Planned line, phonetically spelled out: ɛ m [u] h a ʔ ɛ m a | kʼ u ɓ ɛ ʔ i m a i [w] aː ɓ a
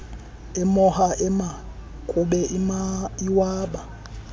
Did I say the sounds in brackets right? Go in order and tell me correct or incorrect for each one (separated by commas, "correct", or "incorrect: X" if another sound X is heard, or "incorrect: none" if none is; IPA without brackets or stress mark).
incorrect: ɔ, correct